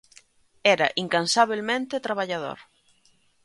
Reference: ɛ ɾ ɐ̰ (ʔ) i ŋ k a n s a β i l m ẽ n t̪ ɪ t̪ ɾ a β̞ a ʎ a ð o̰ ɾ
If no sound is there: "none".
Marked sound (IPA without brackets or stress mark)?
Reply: ʔ